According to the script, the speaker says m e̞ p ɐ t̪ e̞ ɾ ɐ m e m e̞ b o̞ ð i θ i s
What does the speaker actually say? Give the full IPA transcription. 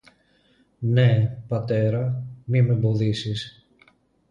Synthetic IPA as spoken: n e̞ p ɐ t̪ e̞ ɾ ɐ m i m e̞ b o̞ ð i s i s